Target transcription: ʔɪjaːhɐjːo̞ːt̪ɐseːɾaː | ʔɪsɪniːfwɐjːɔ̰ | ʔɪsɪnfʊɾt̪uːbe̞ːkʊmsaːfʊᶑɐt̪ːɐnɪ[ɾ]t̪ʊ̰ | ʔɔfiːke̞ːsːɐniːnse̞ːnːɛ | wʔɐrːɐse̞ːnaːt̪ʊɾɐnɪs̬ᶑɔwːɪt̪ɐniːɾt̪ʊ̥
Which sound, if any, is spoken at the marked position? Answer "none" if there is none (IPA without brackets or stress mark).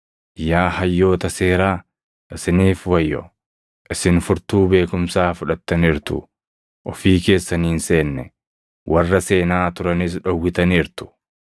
ɾ